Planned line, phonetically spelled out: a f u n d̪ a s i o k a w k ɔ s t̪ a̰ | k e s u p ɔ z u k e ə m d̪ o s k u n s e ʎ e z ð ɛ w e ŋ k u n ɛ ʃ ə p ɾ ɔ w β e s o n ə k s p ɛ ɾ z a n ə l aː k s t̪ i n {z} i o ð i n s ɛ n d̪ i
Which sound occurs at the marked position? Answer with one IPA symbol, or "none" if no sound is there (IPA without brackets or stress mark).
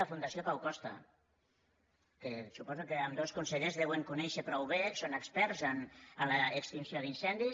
s